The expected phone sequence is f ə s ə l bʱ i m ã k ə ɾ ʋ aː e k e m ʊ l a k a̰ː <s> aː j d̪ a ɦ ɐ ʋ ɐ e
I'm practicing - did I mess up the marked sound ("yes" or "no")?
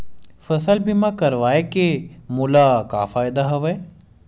yes